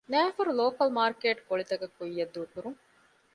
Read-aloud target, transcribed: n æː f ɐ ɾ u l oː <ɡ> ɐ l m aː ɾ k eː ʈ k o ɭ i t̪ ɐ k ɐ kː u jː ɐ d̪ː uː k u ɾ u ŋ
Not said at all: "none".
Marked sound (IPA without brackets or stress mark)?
k